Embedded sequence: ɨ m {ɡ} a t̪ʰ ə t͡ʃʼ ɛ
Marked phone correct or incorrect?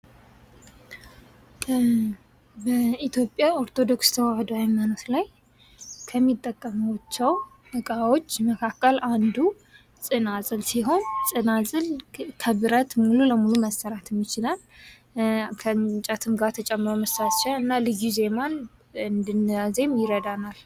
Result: correct